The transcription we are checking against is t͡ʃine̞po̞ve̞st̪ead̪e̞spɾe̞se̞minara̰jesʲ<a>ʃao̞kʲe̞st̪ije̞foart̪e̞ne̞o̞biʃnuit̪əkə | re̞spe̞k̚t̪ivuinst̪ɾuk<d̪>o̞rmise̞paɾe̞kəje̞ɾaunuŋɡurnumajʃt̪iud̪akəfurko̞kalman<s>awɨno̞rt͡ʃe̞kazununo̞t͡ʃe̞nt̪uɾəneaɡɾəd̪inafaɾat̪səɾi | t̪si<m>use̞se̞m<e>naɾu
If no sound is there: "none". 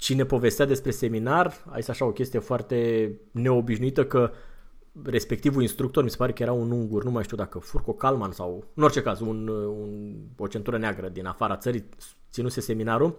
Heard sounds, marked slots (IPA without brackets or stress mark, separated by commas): a, t̪, s, n, i